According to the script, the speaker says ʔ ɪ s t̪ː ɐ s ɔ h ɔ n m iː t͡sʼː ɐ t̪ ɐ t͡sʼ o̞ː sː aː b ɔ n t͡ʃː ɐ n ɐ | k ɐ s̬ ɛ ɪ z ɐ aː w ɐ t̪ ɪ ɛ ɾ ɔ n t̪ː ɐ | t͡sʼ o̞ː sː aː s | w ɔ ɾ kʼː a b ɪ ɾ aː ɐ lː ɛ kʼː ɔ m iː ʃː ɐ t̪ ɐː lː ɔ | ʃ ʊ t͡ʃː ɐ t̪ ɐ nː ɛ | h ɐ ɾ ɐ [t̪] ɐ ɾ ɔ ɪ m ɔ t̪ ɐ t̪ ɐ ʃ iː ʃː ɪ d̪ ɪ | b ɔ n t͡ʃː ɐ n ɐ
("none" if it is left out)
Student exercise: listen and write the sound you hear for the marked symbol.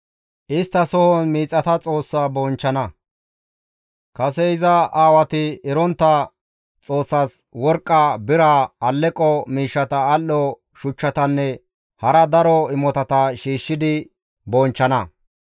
d̪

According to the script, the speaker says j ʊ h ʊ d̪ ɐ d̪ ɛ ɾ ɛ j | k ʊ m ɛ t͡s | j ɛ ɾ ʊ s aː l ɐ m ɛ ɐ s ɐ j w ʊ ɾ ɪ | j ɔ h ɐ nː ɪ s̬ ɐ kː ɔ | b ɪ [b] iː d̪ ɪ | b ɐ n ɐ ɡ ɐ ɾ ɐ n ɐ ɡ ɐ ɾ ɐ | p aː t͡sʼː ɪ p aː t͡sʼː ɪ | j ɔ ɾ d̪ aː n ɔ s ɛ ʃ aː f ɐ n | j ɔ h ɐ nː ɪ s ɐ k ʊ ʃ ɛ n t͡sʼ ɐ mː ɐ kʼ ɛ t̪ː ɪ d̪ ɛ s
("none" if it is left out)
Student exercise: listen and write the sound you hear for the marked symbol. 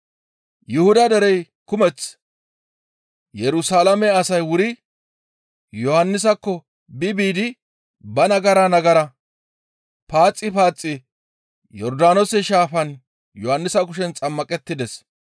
b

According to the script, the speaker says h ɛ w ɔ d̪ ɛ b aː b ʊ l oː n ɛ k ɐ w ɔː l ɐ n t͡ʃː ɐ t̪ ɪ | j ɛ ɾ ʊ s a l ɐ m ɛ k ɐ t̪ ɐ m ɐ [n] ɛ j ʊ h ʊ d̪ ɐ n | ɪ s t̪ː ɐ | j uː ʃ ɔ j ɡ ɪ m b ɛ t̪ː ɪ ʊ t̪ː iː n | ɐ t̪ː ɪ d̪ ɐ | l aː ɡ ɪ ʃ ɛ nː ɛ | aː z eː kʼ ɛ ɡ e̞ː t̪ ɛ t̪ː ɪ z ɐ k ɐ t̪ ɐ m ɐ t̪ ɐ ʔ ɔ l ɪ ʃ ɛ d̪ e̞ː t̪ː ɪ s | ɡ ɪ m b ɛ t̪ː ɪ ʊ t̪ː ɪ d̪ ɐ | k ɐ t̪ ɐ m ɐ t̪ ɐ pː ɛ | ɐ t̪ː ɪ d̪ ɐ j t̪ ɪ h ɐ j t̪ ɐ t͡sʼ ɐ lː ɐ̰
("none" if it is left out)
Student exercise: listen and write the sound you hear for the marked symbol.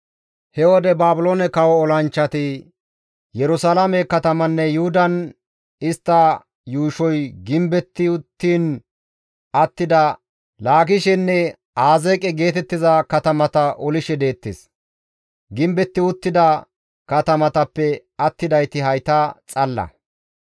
nː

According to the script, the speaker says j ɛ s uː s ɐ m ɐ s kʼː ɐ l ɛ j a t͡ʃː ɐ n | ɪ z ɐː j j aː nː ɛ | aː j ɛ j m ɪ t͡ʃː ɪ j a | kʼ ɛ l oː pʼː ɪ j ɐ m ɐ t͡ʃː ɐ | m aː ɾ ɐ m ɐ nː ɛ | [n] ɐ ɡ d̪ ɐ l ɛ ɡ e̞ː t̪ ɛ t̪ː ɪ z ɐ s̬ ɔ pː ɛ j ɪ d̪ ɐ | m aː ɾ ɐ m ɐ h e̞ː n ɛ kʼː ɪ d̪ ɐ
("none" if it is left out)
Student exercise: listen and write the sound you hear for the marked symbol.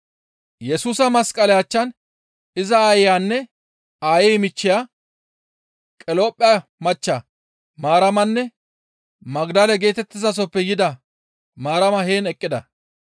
m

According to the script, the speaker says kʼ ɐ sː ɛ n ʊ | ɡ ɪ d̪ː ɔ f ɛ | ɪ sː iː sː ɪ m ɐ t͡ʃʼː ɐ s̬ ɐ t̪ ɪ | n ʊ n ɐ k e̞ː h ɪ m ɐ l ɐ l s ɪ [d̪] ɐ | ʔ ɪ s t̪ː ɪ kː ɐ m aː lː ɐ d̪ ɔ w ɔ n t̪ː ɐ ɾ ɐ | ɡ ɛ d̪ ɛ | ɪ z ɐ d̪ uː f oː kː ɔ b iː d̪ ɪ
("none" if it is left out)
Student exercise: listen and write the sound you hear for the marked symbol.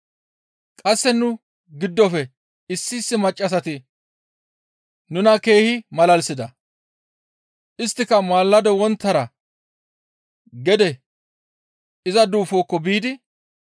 d̪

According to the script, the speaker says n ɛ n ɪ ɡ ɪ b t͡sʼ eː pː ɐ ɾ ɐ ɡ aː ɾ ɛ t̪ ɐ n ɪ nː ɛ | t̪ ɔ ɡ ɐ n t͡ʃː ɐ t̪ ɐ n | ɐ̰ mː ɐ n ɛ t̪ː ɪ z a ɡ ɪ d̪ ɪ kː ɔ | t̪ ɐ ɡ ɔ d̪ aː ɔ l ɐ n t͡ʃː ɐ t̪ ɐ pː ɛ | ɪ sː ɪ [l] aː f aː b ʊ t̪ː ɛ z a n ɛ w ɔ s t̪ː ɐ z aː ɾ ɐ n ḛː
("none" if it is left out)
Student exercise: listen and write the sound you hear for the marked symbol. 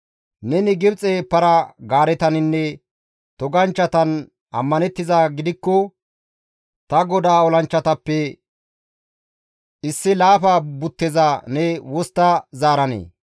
l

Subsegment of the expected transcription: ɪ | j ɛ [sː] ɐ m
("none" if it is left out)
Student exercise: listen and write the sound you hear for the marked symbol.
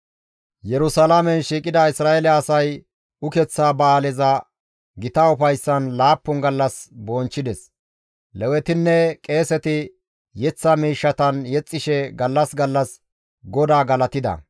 t͡sː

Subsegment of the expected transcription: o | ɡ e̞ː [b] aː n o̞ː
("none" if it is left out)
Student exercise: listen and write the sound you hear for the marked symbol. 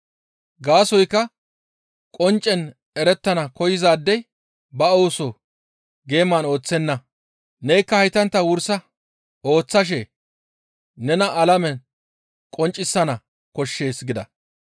m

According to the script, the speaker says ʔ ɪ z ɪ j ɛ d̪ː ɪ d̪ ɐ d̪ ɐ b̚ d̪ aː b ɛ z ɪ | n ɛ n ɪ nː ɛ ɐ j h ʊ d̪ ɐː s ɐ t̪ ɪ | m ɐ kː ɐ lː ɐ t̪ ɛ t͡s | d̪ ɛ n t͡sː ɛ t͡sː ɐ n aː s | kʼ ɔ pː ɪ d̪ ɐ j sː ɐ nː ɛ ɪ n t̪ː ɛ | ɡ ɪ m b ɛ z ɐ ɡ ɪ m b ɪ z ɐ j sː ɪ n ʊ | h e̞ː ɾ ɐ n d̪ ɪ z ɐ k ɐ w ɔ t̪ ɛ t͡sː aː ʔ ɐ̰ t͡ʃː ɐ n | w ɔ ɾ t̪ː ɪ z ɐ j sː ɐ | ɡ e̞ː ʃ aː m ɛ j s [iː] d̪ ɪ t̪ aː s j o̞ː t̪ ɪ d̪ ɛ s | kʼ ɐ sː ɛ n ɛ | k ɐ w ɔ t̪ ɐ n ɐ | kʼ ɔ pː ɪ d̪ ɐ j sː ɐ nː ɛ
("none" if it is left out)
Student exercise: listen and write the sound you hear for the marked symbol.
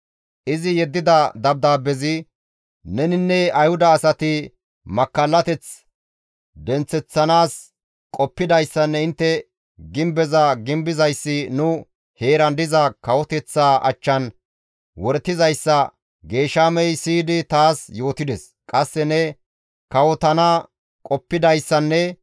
iː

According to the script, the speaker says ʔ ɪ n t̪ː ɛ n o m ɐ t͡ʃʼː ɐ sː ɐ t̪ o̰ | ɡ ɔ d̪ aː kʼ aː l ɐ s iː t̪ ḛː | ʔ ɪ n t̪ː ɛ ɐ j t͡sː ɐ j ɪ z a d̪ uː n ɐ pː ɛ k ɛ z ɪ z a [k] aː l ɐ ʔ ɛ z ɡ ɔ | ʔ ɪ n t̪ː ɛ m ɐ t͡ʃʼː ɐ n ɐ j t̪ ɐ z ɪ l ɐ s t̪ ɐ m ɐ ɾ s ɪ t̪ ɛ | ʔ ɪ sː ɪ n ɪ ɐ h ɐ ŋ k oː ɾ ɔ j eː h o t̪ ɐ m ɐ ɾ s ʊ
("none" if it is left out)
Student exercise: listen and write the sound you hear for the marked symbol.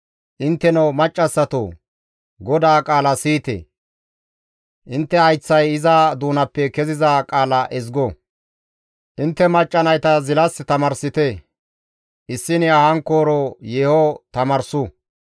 kʼ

